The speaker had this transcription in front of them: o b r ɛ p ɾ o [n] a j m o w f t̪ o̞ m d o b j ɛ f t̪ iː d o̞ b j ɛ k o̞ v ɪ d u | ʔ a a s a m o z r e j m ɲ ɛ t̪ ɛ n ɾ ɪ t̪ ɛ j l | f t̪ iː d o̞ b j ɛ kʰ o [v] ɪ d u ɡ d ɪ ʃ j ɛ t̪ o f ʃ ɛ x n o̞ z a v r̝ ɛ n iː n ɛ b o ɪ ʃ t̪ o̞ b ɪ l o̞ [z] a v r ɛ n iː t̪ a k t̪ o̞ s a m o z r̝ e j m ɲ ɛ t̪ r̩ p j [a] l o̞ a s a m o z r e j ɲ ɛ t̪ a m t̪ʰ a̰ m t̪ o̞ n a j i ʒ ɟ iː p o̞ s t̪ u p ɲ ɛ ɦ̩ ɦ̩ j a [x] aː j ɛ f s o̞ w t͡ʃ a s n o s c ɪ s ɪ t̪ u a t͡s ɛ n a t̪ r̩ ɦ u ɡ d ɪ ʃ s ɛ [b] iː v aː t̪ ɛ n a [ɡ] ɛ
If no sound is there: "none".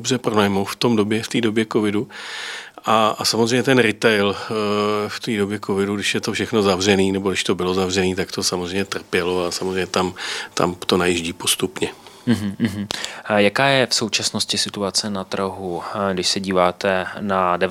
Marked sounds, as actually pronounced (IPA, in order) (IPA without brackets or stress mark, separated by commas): n, v, z, ɛ, k, ɟ, d